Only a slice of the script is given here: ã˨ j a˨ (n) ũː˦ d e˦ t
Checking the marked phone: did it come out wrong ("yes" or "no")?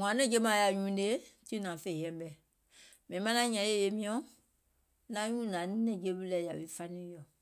yes